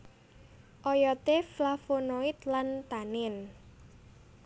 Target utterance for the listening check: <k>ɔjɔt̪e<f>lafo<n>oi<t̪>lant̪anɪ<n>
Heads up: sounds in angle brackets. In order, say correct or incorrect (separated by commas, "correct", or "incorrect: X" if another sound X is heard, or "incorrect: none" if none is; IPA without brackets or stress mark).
incorrect: ʔ, correct, correct, correct, correct